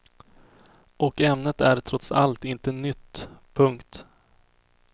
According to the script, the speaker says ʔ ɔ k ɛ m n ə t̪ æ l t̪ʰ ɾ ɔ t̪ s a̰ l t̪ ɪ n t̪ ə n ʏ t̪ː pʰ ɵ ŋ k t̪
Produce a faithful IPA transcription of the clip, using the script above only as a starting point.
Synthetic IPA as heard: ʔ ɔ k ɛ m n ə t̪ æ ɾ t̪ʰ ɾ ɔ t̪ s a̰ l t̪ ɪ n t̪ ə n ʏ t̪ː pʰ ɵ ŋ k t̪